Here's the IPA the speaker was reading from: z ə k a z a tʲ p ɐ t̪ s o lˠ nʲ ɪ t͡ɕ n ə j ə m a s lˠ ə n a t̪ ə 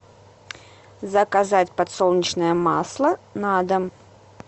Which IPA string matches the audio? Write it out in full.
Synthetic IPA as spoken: z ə k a z a tʲ p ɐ t̪ s o lˠ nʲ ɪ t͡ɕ n ə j ə m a s lˠ ə n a d̪ ə

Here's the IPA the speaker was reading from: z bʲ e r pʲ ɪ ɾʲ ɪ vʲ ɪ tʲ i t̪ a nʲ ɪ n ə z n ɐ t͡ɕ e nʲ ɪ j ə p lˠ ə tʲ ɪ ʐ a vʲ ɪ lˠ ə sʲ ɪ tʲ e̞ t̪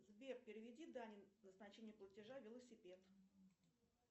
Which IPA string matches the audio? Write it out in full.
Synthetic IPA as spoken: z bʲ e r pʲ ɪ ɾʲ ɪ vʲ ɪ dʲ i d̪ a nʲ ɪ n ə z n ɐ t͡ɕ e nʲ ɪ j ə p lˠ ə tʲ ɪ ʐ a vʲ ɪ lˠ ə sʲ ɪ pʲ e̞ t̪

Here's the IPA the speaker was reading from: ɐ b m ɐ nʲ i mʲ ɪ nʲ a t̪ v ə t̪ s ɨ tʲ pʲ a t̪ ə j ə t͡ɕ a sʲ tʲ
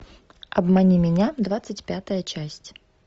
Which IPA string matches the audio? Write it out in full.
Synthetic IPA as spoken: ɐ b m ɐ nʲ i mʲ ɪ nʲ a d̪ v a t̪ s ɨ tʲ pʲ a t̪ ə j ə t͡ɕ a sʲ tʲ

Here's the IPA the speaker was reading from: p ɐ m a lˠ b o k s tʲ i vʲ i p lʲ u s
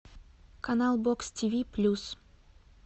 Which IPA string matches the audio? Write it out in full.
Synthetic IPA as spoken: k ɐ n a lˠ b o k s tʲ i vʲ i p lʲ u s

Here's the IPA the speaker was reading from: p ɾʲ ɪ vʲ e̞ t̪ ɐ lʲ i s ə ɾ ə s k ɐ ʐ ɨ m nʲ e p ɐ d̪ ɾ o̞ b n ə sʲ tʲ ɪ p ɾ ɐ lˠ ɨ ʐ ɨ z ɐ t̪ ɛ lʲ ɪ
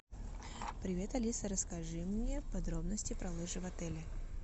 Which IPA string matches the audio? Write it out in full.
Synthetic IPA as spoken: p ɾʲ ɪ vʲ e̞ t̪ ɐ lʲ i s ə ɾ ə s k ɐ ʐ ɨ m nʲ e p ɐ d̪ ɾ o̞ b n ə sʲ tʲ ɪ p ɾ ɐ lˠ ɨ ʐ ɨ v ɐ t̪ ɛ lʲ ɪ

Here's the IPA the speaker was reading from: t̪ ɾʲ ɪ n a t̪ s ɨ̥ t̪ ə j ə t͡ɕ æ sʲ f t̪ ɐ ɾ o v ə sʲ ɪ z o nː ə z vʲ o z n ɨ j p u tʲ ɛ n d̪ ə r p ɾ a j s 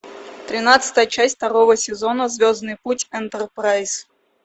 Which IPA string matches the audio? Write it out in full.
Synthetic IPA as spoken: t̪ ɾʲ ɪ n a t̪ s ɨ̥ t̪ ə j ə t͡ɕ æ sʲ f t̪ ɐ ɾ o v ə sʲ ɪ z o n ə z vʲ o z n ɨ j p u tʲ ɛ n t̪ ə r p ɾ a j s

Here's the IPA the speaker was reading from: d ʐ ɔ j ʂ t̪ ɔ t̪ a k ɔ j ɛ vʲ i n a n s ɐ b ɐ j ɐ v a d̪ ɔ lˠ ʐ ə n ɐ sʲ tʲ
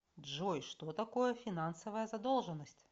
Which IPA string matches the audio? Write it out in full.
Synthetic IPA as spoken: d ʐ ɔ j ʂ t̪ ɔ t̪ a k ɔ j ɛ fʲ i n a n s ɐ v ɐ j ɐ z a d̪ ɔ lˠ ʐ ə n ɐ sʲ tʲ

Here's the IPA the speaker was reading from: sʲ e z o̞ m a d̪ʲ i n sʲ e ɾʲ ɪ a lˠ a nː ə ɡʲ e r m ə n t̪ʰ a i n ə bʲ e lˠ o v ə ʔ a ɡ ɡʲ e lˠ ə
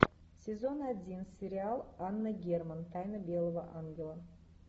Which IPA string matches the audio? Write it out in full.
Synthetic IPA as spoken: sʲ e z o̞ n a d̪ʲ i n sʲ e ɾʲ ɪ a lˠ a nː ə ɡʲ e r m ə n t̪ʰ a j n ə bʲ e lˠ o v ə ʔ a ŋ ɡʲ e lˠ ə

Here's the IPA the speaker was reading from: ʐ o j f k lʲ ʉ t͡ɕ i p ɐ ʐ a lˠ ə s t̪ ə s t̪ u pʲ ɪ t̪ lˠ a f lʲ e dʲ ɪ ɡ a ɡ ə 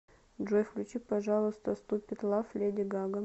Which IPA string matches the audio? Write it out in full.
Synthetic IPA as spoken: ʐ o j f k lʲ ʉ t͡ɕ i p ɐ ʐ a lˠ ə s t̪ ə s t̪ u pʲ ɪ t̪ lˠ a f lʲ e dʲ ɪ ɡ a ɡ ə

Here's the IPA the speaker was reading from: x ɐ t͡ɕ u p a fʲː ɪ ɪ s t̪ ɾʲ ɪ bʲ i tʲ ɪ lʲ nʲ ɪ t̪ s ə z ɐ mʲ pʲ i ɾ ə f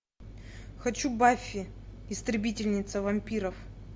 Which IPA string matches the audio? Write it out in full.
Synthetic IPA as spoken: x ɐ t͡ɕ u b a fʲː ɪ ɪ s t̪ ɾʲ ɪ bʲ i tʲ ɪ lʲ nʲ ɪ t̪ s ə v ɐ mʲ pʲ i ɾ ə f

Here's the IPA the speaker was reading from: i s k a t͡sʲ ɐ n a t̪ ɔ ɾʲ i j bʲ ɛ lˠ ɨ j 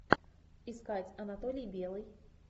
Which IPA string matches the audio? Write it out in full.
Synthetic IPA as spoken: i s k a t͡sʲ ɐ n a t̪ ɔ lʲ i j bʲ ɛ lˠ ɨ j

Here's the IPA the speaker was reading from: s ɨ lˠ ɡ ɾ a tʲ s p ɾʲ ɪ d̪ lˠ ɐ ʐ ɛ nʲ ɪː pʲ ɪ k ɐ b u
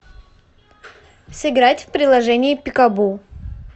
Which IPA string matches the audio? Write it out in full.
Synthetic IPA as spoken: s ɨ ɡ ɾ a tʲ f p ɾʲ ɪ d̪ lˠ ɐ ʐ ɛ nʲ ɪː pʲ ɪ k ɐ b u

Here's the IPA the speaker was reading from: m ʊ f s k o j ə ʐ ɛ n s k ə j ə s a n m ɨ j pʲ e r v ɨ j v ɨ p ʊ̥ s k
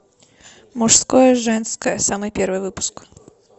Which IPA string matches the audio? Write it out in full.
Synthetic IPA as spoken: m ʊ ʂ s k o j ə ʐ ɛ n s k ə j ə s a m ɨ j pʲ e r v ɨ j v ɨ p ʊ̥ s k

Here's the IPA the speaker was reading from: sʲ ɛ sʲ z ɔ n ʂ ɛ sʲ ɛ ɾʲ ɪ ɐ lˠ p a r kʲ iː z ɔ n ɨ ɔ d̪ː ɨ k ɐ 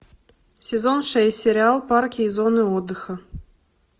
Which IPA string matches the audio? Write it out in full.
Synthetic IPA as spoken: sʲ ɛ z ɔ n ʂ ɛ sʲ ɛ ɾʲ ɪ a lˠ p a r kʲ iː z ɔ n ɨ ɔ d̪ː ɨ x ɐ

